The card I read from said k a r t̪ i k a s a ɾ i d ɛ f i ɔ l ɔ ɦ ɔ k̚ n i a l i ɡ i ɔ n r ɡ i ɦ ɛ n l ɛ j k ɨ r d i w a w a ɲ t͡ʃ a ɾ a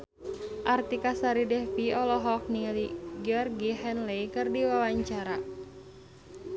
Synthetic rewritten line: ʔ a r t̪ i k a s a ɾ i d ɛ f i ɔ l ɔ ɦ ɔ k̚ n i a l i ɡ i ɔ r ɡ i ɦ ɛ n l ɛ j k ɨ r d i w a w a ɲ t͡ʃ a ɾ a